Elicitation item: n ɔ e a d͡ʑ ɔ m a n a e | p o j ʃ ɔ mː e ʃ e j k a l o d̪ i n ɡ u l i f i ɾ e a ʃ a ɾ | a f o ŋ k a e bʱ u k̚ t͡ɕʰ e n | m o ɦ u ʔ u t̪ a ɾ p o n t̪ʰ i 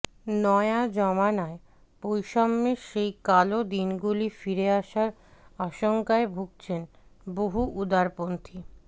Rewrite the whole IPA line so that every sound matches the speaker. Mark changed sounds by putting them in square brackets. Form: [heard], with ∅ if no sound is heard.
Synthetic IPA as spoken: n ɔ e a d͡ʑ ɔ m a n a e | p o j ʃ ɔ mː e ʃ e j k a l o d̪ i n ɡ u l i f i ɾ e a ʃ a ɾ | a [ʃ] o ŋ k a e bʱ u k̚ t͡ɕʰ e n | [b] o ɦ u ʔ u [d̪] a ɾ p o n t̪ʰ i